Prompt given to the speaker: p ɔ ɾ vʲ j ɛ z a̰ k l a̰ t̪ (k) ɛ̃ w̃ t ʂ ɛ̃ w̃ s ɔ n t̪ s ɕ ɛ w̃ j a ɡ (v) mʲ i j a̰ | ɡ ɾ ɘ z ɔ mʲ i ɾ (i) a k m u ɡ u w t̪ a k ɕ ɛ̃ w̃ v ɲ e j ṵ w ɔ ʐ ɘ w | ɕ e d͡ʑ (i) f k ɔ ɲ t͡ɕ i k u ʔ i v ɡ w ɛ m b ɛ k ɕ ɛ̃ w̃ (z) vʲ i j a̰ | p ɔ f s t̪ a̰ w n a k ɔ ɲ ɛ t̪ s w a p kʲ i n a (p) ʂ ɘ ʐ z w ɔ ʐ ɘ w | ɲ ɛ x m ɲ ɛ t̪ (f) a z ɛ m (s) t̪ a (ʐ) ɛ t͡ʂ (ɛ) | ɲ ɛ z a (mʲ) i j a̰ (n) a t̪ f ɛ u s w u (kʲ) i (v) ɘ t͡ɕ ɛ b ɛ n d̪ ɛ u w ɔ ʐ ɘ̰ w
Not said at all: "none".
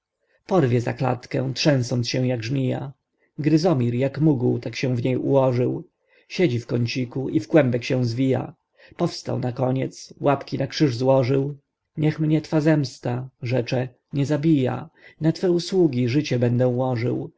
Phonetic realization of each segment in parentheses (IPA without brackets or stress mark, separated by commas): k, ʐ, j, i, z, k, f, s, ʐ, ɛ, bʲ, n, ɡʲ, ʐ